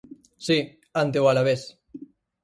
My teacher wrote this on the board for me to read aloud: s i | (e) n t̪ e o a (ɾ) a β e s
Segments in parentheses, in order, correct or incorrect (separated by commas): incorrect, incorrect